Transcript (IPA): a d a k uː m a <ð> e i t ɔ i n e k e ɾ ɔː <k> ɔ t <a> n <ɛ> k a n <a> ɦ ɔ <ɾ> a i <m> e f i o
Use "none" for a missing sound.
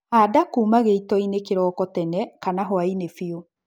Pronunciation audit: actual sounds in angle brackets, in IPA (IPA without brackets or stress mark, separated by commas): ɣ, k, ɛ, ɛ, a, none, n